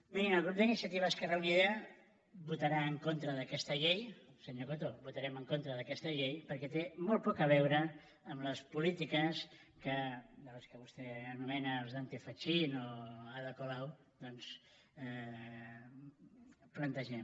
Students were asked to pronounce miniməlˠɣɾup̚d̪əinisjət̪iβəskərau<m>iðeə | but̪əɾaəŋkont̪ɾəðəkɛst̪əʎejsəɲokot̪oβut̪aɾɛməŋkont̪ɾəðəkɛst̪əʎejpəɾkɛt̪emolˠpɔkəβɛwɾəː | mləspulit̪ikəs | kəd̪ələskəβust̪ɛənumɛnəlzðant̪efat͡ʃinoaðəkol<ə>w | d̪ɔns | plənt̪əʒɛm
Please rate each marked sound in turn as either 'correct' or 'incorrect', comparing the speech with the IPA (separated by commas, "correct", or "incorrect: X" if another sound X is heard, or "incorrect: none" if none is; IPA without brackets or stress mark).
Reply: incorrect: n, incorrect: a